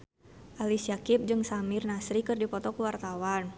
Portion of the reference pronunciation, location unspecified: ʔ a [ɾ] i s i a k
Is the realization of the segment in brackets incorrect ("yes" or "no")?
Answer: yes